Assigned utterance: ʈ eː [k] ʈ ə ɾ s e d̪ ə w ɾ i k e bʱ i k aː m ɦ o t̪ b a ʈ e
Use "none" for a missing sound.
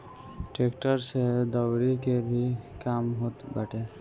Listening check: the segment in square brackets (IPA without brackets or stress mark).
k